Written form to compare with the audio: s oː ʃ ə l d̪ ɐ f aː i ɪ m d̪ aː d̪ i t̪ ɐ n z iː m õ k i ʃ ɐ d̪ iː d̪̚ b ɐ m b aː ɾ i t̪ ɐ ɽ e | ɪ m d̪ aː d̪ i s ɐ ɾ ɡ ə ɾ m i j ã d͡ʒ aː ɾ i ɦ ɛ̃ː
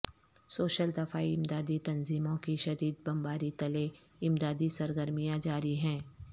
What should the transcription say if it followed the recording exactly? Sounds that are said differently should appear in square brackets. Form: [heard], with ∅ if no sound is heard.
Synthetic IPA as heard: s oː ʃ ə l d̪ ɐ f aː i ɪ m d̪ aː d̪ i t̪ ɐ n z iː m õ k i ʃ ɐ d̪ iː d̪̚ b ɐ m b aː ɾ i t̪ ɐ [l] e | ɪ m d̪ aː d̪ i s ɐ ɾ ɡ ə ɾ m i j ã d͡ʒ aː ɾ i ɦ ɛ̃ː